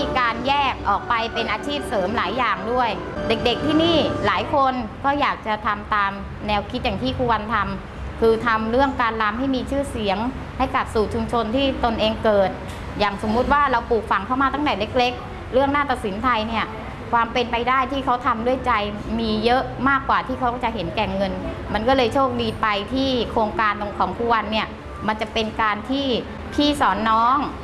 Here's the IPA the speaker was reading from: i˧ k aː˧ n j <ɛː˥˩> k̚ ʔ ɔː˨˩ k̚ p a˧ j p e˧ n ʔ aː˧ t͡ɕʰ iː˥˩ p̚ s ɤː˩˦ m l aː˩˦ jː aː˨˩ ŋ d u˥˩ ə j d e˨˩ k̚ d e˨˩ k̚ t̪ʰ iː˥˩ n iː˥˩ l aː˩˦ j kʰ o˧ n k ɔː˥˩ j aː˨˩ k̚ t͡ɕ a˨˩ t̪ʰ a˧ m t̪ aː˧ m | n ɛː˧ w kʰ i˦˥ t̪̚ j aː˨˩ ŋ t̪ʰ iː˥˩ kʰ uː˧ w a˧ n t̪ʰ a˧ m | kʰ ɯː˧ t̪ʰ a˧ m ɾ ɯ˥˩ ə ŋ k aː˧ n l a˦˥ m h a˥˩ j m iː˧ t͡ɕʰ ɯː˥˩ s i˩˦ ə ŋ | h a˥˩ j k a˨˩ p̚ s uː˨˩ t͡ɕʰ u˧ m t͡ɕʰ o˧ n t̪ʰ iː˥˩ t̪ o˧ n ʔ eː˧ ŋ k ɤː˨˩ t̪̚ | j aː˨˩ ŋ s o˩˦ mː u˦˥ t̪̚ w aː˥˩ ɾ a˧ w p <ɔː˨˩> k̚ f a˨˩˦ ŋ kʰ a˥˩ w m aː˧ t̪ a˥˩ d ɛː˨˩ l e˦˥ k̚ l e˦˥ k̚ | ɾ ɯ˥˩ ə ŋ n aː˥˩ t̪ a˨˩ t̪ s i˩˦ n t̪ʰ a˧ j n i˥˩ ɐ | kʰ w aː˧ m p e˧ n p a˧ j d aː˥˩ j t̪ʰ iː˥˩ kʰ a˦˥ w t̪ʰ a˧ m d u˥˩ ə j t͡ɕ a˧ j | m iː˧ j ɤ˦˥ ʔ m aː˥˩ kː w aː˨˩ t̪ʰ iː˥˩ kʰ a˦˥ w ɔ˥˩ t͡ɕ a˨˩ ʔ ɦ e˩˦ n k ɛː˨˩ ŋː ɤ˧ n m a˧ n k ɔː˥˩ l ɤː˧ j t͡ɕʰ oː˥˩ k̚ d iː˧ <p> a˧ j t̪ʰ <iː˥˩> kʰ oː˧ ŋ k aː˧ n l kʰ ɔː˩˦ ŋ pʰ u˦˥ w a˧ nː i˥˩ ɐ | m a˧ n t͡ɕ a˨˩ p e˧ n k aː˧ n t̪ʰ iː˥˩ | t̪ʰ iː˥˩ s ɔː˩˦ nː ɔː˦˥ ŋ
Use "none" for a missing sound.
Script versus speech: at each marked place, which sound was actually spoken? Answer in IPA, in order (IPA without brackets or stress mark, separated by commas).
ɛː˥˩, uː˨˩, p, iː˥˩